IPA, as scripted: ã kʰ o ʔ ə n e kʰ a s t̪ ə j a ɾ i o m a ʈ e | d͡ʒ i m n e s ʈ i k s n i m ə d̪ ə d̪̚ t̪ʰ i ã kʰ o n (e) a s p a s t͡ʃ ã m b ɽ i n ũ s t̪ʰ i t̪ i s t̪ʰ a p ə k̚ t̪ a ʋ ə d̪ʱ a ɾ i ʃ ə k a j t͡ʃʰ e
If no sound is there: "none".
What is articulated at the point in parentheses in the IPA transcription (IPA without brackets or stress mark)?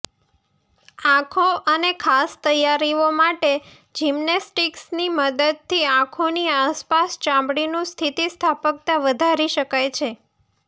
i